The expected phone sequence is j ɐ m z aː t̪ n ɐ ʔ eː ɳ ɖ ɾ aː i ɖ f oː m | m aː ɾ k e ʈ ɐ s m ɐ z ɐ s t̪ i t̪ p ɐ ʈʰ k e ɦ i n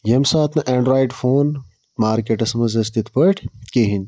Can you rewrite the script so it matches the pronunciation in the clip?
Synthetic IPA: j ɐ m s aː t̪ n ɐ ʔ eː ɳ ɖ ɾ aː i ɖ f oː n | m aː ɾ k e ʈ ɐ s m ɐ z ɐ s t̪ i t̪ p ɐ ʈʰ k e ɦ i n